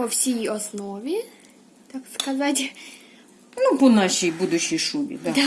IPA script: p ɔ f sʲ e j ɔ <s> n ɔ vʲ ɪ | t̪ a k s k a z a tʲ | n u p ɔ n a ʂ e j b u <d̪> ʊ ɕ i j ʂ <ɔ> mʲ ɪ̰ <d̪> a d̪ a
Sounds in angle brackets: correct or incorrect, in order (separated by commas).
correct, correct, incorrect, correct